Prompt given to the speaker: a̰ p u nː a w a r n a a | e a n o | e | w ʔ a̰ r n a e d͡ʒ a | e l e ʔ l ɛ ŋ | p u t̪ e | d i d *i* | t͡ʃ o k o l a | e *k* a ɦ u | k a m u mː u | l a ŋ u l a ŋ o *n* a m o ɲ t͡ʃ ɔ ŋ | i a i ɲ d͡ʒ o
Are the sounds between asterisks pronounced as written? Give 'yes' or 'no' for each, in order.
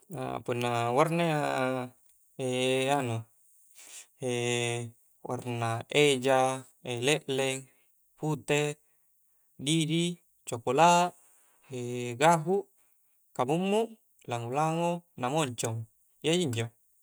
yes, no, yes

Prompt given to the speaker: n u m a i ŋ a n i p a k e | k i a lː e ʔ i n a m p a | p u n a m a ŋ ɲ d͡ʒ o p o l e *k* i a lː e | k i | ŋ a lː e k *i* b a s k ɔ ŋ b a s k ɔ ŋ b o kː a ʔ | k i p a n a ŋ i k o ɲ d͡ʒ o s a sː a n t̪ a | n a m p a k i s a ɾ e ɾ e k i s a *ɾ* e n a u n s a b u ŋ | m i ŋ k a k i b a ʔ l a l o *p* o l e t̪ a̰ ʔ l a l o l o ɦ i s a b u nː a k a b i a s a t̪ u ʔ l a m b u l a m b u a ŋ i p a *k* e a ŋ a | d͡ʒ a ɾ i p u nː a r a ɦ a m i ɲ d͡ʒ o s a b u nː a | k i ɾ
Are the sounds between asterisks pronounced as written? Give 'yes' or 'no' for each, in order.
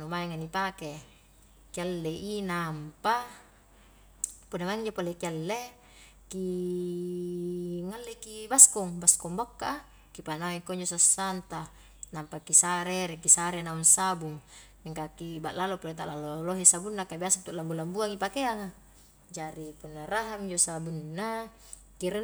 yes, yes, yes, yes, yes

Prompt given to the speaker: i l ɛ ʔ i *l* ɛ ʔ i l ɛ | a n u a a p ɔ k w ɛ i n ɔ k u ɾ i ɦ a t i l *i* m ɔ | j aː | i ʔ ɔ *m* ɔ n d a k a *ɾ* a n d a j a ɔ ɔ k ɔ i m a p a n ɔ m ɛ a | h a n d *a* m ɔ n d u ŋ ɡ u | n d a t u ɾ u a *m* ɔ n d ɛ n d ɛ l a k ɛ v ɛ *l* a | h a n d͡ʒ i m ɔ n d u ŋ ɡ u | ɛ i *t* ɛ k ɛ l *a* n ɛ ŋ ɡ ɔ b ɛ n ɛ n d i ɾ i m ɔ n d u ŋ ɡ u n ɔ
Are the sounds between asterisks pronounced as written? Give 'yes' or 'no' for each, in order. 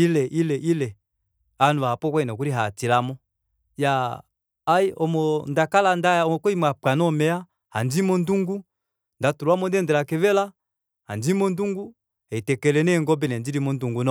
yes, no, yes, no, no, yes, yes, yes, no

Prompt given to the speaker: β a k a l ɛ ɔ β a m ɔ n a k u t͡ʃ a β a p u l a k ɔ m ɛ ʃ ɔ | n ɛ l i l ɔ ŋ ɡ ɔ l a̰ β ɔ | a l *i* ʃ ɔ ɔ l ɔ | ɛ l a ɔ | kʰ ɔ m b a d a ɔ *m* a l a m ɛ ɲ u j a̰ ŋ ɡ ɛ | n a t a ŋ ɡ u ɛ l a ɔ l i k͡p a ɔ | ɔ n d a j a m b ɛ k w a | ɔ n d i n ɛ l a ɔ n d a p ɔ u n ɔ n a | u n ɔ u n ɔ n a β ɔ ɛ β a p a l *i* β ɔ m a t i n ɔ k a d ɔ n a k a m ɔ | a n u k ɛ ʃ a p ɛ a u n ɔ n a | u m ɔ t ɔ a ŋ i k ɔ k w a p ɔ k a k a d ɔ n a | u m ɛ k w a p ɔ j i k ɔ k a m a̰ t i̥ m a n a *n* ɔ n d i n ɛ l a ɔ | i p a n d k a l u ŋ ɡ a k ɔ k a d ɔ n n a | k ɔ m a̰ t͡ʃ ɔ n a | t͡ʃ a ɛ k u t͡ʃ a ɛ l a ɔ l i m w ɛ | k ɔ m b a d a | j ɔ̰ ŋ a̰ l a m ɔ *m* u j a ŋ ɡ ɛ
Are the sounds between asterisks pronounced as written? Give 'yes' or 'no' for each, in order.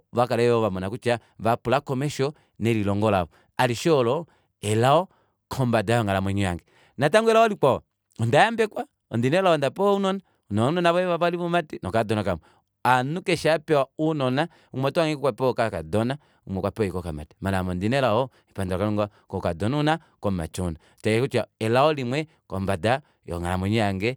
yes, no, yes, no, no

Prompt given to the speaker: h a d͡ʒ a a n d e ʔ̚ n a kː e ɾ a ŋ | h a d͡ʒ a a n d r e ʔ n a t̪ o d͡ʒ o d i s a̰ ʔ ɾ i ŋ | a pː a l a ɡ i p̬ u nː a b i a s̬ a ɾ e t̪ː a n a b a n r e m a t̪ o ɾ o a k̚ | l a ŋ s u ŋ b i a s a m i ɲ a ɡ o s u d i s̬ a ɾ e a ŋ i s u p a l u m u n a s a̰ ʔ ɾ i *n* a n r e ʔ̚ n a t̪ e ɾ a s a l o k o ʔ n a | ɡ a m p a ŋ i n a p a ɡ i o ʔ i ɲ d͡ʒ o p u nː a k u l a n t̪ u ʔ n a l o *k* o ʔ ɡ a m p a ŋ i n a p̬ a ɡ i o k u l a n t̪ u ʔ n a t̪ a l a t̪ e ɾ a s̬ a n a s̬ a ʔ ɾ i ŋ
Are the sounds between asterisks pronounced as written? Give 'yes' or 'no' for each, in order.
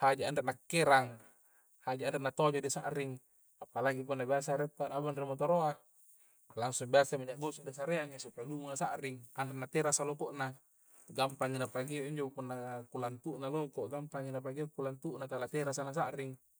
no, yes

